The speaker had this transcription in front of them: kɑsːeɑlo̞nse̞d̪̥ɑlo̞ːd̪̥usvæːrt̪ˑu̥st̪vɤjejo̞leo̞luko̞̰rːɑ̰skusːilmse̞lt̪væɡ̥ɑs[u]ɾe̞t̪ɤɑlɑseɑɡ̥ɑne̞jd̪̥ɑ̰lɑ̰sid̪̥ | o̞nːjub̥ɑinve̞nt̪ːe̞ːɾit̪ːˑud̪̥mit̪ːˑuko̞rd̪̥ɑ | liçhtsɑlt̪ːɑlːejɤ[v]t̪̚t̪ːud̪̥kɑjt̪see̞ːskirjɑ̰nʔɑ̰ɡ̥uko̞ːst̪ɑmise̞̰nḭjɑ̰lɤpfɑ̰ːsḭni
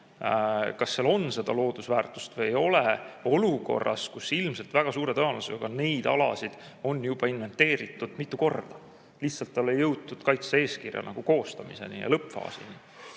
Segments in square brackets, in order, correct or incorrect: incorrect: uː, incorrect: w

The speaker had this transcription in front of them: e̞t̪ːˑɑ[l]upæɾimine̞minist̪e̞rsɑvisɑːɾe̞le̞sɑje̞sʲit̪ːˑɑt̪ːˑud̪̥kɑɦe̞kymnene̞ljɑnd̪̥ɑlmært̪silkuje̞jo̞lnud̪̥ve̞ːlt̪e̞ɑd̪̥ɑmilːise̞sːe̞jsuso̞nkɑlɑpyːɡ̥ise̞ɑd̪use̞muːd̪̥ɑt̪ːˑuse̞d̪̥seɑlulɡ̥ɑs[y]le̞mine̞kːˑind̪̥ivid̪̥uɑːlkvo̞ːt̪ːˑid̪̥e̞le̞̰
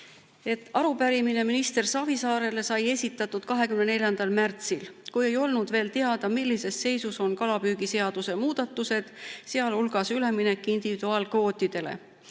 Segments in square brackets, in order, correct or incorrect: incorrect: ɾ, correct

